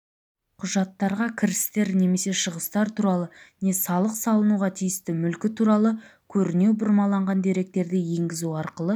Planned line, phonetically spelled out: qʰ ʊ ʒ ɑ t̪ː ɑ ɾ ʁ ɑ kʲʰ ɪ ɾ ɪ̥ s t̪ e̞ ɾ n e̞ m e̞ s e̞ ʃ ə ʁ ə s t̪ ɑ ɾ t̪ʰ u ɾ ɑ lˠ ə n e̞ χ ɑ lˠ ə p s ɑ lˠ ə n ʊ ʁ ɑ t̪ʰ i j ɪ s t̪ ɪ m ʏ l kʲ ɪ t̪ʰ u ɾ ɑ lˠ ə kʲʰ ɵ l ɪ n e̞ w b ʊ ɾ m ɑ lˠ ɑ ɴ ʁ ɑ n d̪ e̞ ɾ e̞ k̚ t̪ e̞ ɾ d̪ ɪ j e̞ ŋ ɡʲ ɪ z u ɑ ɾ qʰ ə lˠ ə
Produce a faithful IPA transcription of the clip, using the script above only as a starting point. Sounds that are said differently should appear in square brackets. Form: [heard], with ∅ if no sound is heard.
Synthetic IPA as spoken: qʰ ʊ ʒ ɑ t̪ː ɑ ɾ ʁ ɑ kʲʰ ɪ ɾ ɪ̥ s t̪ e̞ ɾ n e̞ m e̞ s e̞ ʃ ə ʁ ə s t̪ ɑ ɾ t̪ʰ u ɾ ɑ lˠ ə n e̞ [s] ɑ lˠ ə [q] s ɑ lˠ ə n [u] ʁ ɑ t̪ʰ i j ɪ s t̪ ɪ m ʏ l kʲ ɪ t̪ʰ u ɾ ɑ lˠ ə kʲʰ ɵ [ɾ] ɪ n e̞ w b ʊ ɾ m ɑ lˠ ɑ ɴ ʁ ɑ n d̪ e̞ ɾ e̞ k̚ t̪ e̞ ɾ d̪ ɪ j e̞ ŋ ɡʲ ɪ z u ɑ ɾ [q] ə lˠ ə